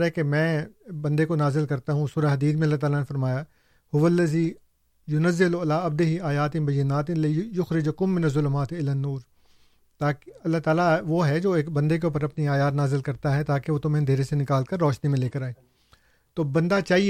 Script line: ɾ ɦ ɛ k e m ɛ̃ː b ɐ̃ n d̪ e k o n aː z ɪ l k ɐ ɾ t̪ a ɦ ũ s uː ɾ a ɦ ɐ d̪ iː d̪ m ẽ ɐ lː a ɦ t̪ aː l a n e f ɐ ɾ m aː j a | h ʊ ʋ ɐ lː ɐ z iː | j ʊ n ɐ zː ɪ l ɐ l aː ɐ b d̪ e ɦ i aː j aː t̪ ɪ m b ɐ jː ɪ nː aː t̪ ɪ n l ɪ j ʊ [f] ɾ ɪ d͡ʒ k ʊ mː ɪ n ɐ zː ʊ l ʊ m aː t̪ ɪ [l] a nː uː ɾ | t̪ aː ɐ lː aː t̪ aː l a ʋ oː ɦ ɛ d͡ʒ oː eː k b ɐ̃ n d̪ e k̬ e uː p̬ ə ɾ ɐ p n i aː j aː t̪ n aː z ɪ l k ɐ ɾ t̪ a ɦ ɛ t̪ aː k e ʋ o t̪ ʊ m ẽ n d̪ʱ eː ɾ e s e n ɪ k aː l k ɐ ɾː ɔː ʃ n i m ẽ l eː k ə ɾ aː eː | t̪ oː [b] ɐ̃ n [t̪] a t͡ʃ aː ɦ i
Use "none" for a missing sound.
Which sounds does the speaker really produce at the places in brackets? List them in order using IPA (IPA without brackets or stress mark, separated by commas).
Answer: x, l, b, d̪